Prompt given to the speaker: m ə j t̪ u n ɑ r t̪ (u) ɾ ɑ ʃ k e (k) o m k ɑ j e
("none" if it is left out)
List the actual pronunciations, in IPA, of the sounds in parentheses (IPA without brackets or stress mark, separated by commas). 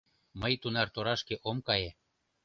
o, ʔ